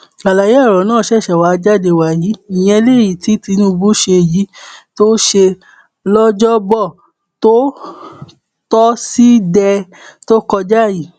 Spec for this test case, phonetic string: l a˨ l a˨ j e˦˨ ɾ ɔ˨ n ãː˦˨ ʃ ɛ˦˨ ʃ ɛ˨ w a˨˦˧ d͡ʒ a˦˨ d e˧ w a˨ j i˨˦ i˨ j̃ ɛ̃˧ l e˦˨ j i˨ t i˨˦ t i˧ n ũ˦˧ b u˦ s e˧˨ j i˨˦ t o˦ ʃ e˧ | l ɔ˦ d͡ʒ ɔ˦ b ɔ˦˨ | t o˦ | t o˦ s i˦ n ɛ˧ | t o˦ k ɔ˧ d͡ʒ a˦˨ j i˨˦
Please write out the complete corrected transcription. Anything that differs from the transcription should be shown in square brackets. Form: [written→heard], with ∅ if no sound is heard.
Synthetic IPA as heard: l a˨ l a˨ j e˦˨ ɾ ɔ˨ n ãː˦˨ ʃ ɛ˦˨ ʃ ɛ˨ w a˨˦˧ d͡ʒ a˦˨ d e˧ w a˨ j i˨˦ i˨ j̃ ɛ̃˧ l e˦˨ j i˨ t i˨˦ t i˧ n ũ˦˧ b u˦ [s→ʃ] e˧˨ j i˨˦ t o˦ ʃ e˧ | l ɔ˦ d͡ʒ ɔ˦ b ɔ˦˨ | t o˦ | t [o˦→ɔ˦] s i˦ [n→d] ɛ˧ | t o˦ k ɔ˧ d͡ʒ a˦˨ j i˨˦